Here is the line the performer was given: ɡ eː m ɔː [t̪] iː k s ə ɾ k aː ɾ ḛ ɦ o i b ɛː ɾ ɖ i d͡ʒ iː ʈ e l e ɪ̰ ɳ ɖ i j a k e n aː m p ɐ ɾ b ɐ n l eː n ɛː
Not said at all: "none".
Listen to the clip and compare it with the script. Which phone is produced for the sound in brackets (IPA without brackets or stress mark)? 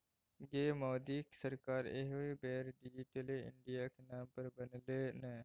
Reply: d̪